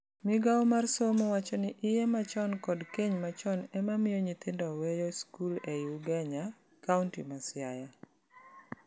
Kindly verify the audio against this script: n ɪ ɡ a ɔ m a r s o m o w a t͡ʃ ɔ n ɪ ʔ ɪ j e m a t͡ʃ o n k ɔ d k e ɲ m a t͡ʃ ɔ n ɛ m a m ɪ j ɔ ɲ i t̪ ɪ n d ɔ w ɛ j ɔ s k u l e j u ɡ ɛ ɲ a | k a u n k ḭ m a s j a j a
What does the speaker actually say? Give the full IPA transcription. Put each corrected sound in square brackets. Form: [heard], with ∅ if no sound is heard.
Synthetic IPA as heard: [m] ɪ ɡ a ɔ m a r s o m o w a t͡ʃ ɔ n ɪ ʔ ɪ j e m a t͡ʃ [ɔ] n k ɔ d k e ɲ m a t͡ʃ ɔ n ɛ m a m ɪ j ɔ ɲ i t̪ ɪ n d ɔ w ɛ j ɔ s k u l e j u ɡ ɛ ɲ a | k a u n [t] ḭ m a s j a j a